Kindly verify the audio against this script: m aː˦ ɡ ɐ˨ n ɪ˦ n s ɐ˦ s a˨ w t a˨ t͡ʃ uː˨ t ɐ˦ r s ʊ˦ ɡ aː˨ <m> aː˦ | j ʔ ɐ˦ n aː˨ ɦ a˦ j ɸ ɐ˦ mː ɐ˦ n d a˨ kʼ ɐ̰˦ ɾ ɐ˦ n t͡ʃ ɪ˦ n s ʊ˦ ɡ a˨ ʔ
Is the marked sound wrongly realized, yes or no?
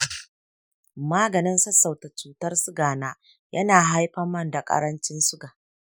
yes